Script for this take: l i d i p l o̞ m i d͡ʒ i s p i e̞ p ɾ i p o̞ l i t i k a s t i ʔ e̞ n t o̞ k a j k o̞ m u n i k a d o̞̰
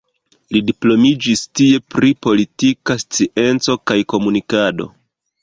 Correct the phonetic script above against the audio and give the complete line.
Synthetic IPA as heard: l i d i p l o̞ m i d͡ʒ i s t i e̞ p ɾ i p o̞ l i t i k a s t͡s i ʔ e̞ n t͡s o̞ k a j k o̞ m u n i k a d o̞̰